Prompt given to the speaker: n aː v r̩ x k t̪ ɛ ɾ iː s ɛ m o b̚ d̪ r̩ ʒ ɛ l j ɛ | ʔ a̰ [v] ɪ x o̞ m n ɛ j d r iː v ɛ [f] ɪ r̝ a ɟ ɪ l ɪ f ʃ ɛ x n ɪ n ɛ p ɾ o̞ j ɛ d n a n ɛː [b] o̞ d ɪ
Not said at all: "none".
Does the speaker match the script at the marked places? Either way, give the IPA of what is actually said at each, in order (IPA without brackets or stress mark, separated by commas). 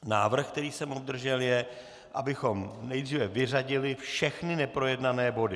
b, v, b